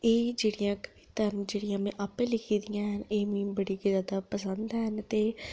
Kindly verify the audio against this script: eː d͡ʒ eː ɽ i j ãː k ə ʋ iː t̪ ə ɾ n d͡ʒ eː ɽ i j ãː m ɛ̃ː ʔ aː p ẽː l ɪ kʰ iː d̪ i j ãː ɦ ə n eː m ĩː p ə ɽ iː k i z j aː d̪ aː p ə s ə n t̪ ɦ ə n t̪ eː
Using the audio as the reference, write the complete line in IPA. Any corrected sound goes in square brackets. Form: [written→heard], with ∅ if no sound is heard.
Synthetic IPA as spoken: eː d͡ʒ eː ɽ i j ãː k ə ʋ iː t̪ ə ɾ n d͡ʒ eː ɽ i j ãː m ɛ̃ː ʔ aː p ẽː l ɪ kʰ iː d̪ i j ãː ɦ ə n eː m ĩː [p→b] ə ɽ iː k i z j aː d̪ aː p ə s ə n [t̪→d̪] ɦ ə n t̪ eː